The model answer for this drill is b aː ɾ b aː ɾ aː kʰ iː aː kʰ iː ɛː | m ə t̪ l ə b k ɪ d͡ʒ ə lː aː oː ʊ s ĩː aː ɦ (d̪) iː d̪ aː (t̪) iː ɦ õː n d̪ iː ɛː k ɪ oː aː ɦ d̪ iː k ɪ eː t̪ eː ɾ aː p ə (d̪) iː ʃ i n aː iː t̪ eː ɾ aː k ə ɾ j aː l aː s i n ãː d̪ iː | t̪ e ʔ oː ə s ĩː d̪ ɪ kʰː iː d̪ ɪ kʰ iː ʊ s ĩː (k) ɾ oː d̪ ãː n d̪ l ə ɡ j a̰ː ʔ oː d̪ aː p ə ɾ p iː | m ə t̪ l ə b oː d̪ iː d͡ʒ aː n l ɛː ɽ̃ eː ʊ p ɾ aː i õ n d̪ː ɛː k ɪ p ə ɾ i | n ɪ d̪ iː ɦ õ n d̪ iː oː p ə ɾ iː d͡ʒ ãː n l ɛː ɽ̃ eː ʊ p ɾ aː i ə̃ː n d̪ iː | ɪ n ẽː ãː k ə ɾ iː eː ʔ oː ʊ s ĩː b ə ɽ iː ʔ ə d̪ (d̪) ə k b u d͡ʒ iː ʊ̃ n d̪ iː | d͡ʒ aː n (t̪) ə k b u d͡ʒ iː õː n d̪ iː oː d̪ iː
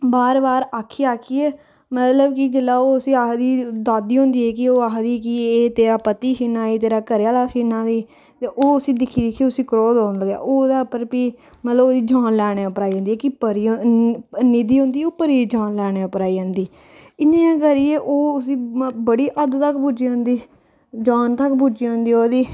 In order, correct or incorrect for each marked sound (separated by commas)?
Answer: correct, incorrect, incorrect, correct, incorrect, correct